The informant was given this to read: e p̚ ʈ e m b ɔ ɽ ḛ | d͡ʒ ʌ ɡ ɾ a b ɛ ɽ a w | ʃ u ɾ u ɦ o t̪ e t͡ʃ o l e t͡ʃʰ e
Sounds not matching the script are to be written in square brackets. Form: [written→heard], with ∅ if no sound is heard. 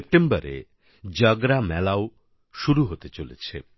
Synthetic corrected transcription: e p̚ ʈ e m b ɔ [ɽ→ɾ] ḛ | d͡ʒ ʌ ɡ ɾ a [b→m] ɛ [ɽ→l] a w | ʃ u ɾ u ɦ o t̪ e t͡ʃ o l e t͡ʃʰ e

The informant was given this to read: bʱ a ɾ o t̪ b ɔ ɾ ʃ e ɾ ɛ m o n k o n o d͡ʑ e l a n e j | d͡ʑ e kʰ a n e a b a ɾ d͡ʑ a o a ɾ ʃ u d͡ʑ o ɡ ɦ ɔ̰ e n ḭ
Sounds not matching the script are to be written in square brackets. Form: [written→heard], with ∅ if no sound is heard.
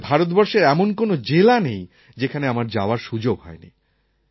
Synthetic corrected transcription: bʱ a ɾ o t̪ b ɔ ɾ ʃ e ɾ ɛ m o n k o n o d͡ʑ e l a n e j | d͡ʑ e kʰ a n e a [b→m] a ɾ d͡ʑ a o a ɾ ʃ u d͡ʑ o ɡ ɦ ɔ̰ e n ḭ

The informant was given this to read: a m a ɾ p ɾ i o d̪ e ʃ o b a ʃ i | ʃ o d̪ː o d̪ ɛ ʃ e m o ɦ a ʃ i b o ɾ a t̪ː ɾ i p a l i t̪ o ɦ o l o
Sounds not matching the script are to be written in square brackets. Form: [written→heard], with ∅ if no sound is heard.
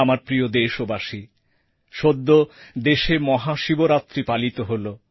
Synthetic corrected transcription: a m a ɾ p ɾ i o d̪ e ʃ o b a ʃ i | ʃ o d̪ː o d̪ [ɛ→e] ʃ e m [o→ɔ] ɦ a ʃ i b o ɾ a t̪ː ɾ i p a l i t̪ o ɦ o l o

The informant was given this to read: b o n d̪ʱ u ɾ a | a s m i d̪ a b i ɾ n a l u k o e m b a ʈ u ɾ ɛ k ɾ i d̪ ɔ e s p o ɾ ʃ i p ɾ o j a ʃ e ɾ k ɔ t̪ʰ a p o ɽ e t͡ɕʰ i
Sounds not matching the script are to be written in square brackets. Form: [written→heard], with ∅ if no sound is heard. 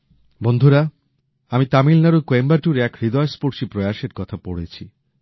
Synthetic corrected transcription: b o n d̪ʱ u ɾ a | a [s→∅] m i [d̪→t̪] a [b→m] i [ɾ→l] n a [l→ɾ] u k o e m b a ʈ u ɾ ɛ k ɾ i d̪ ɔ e s p o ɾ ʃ i p ɾ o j a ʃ e ɾ k ɔ t̪ʰ a p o ɽ e t͡ɕʰ i

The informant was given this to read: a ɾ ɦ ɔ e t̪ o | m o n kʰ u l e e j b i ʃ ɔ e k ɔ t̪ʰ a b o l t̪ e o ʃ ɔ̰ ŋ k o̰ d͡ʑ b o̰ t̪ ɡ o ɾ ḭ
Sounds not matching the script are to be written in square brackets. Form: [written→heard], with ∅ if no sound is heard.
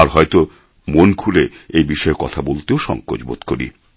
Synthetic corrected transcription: a ɾ ɦ ɔ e t̪ o | m o n kʰ u l e e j b i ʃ ɔ e k ɔ t̪ʰ a b o l t̪ e o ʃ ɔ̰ ŋ k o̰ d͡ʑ b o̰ t̪ [ɡ→k] o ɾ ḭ

